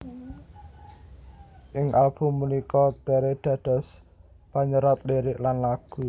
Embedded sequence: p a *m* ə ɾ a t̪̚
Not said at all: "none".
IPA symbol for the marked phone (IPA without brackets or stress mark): ɲ